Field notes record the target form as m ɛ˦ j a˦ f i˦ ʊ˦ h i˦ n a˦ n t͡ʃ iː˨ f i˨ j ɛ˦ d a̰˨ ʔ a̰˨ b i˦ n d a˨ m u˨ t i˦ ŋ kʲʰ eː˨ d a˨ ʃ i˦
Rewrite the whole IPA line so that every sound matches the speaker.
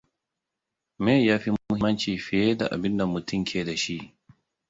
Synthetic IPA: m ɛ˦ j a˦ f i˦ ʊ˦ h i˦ m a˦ n t͡ʃ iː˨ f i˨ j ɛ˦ d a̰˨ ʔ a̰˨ b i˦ n d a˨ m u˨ t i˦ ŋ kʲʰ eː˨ d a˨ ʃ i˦